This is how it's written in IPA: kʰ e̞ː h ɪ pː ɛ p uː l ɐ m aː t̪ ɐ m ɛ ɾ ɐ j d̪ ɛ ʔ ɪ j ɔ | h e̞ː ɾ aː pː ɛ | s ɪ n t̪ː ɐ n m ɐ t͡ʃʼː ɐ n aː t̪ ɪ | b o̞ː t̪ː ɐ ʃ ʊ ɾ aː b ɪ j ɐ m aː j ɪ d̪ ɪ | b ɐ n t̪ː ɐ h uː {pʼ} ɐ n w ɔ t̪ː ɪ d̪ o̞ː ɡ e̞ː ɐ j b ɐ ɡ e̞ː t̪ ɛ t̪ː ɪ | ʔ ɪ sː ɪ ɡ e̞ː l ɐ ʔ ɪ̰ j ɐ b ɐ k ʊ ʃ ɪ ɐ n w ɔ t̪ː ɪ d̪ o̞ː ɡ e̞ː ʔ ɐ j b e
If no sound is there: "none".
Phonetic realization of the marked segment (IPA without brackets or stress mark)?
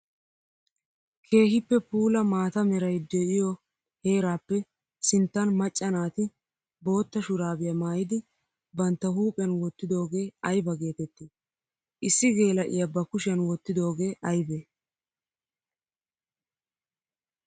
pʼ